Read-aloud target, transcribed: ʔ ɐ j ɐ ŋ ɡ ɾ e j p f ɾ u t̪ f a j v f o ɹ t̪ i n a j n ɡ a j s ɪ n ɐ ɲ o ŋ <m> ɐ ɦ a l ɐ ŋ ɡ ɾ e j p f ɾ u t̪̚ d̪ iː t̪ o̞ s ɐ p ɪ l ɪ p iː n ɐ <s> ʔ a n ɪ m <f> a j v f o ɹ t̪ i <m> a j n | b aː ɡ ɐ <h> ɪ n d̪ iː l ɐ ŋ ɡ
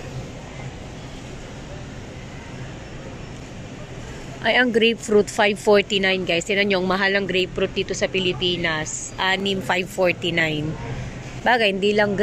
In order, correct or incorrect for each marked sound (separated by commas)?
correct, correct, correct, incorrect, correct